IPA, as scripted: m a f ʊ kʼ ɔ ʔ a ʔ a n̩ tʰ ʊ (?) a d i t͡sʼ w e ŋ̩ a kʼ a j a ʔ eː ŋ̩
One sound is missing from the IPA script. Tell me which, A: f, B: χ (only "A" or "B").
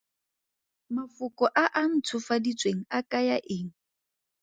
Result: A